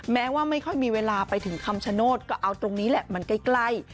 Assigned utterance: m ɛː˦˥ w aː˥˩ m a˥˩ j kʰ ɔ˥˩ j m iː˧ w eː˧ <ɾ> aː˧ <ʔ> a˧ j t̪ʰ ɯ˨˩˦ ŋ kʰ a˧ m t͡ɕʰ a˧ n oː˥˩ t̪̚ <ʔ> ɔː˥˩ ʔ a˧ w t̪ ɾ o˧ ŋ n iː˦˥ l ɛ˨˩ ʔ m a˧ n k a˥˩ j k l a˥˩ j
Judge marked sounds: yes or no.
no, no, no

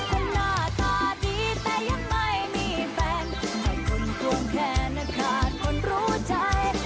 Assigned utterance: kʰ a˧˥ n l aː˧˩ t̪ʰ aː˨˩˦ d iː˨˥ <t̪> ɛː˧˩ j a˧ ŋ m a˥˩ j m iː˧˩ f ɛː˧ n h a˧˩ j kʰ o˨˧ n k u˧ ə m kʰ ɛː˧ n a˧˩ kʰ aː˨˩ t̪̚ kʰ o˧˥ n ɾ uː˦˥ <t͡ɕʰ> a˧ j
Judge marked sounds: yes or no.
yes, no

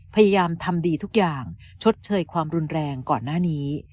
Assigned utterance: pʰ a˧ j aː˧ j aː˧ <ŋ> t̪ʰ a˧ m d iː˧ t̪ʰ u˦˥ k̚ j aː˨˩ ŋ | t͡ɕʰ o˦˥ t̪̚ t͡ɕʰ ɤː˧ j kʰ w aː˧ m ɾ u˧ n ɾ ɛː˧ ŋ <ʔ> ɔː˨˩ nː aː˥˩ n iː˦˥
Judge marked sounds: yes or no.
no, no

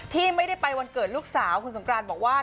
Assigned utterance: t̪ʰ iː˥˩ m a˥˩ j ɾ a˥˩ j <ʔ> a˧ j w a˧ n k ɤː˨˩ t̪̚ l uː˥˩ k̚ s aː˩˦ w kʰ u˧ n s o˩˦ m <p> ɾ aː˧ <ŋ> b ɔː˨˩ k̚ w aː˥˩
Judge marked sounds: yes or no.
no, no, no

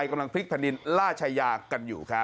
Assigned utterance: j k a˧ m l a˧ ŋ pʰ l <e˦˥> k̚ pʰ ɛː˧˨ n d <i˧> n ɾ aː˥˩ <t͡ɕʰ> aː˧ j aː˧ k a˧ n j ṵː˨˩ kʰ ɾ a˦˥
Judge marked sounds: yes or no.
no, yes, yes

